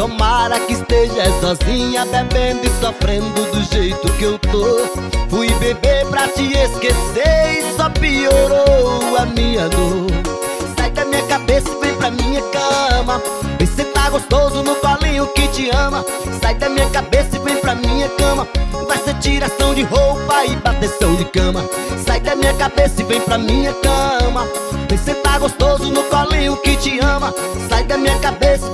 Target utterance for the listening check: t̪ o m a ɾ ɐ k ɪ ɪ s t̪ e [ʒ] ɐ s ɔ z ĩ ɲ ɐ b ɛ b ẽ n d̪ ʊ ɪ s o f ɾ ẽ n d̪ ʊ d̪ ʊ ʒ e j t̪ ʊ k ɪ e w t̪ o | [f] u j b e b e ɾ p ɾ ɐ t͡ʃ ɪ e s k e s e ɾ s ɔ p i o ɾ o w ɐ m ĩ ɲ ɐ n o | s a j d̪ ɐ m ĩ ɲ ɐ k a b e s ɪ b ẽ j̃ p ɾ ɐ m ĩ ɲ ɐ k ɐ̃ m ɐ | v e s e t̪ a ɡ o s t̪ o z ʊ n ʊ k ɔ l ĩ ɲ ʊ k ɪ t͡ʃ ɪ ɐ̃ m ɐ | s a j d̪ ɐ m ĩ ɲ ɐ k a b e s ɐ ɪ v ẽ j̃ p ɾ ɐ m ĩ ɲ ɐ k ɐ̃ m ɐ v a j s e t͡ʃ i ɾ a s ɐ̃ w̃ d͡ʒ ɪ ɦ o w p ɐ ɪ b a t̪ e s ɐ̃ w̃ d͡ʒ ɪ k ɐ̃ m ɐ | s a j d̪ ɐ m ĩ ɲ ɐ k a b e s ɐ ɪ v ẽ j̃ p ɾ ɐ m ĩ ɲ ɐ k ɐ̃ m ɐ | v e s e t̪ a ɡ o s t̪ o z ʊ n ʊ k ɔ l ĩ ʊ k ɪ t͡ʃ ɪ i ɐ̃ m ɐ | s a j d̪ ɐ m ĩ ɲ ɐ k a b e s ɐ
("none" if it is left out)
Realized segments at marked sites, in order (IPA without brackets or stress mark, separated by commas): ʒ, f